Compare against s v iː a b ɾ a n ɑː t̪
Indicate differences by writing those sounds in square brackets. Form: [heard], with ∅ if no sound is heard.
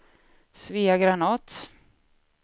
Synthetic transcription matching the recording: s v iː a [ɡ] ɾ a n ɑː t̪